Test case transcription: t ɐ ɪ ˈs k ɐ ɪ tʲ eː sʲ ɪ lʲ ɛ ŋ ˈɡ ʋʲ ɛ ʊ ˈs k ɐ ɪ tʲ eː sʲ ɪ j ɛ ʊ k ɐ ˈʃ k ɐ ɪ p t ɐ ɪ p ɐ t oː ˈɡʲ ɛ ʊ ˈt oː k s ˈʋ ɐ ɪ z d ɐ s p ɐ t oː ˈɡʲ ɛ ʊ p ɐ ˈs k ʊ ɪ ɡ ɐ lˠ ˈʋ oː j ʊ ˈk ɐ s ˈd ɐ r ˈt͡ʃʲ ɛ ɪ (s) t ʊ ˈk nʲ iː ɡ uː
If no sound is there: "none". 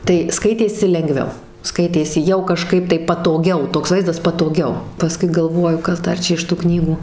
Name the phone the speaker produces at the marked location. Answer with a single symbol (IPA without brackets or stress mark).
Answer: ʃ